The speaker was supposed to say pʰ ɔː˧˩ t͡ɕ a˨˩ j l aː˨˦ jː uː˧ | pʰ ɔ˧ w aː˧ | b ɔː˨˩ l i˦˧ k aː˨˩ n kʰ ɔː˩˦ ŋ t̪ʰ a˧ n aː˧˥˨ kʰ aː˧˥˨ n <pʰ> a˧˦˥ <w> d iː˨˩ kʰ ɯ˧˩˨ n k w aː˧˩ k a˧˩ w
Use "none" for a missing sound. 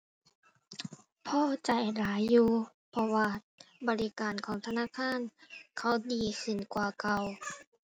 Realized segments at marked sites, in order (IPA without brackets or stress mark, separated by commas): kʰ, w